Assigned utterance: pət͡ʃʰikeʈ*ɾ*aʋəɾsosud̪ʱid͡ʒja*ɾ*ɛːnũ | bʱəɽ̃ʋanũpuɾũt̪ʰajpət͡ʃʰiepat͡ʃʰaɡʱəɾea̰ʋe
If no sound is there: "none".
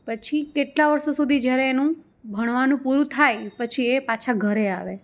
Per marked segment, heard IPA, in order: l, ɾ

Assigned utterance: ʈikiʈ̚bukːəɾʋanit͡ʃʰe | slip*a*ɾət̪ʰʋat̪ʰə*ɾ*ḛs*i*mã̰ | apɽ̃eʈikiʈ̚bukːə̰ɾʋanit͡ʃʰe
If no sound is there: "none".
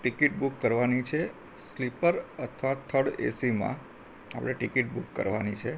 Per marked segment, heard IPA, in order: ə, ɽ, i

